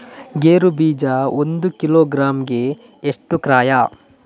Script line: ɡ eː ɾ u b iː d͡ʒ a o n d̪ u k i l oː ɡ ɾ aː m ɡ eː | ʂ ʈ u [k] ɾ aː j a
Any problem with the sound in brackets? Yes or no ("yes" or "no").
no